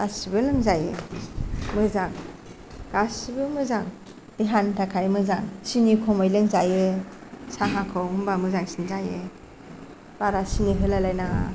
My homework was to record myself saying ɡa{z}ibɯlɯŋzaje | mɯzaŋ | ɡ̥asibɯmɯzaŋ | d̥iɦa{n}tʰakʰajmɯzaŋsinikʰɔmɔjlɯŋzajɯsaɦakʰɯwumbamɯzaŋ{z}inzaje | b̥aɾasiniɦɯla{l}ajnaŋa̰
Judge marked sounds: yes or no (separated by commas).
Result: no, yes, no, yes